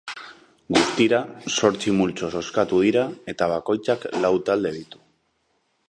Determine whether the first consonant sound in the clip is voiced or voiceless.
voiced